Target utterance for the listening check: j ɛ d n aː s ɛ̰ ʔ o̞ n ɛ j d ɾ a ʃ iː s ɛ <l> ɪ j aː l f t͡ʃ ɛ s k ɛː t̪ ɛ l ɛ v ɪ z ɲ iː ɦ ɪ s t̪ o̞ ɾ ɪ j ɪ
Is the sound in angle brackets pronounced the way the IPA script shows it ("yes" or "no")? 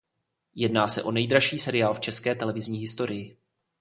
no